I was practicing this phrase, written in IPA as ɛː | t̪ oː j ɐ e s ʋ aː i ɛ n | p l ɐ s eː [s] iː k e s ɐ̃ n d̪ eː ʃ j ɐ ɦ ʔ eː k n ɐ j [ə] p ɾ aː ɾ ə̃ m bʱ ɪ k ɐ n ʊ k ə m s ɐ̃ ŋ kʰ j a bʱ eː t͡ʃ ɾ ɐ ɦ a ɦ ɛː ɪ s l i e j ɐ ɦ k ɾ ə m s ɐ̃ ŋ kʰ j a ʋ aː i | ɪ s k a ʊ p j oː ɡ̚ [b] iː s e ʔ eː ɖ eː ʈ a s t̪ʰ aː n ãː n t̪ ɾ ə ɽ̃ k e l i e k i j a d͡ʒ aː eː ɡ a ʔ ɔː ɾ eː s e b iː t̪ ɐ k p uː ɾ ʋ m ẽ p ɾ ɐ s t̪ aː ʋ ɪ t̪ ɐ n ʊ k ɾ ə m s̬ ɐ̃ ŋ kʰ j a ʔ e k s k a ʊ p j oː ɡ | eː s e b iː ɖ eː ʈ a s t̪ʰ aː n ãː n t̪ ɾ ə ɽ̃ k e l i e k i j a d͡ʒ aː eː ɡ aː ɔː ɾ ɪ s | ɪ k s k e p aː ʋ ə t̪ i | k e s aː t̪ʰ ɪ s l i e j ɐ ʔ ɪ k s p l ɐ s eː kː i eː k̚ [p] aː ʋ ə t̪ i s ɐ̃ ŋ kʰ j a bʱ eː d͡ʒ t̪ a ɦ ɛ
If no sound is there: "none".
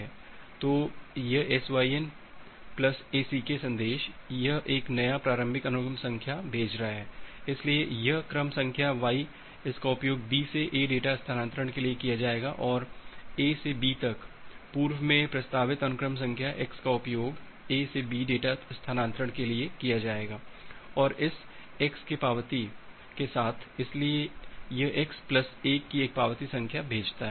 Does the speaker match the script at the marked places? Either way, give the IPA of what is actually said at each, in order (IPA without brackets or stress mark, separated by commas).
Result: s, a, b, p